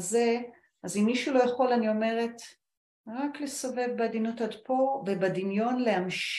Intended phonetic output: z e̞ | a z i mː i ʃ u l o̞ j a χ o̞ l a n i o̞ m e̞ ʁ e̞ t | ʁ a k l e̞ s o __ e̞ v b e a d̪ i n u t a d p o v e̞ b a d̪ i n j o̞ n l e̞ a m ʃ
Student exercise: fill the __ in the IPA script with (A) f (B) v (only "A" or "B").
B